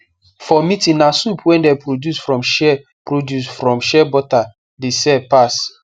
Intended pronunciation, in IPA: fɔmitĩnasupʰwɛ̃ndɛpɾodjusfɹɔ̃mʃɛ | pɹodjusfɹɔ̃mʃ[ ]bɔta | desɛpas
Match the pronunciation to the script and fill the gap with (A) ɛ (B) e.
A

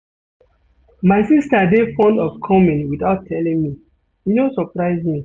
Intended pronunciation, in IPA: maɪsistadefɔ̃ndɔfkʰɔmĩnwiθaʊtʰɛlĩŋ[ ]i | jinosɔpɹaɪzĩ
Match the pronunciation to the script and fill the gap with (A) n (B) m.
B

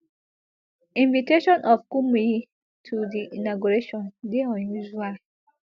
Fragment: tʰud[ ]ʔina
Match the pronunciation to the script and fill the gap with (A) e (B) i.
B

